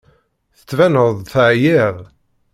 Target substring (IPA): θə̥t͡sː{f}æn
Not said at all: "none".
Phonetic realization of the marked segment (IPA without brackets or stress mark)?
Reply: v